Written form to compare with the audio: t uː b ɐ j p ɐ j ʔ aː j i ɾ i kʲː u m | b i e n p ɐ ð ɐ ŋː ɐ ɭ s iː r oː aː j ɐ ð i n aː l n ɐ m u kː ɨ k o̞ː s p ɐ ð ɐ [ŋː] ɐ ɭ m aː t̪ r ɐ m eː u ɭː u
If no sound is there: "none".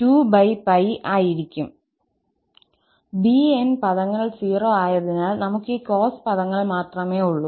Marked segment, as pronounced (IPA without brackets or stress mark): ŋː